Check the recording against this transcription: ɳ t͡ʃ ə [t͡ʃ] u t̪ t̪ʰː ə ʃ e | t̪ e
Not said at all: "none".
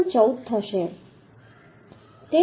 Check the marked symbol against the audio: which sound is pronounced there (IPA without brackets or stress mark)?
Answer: none